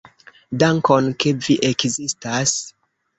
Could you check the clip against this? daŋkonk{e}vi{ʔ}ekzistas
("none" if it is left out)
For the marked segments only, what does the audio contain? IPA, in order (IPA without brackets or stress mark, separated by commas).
e, ʔ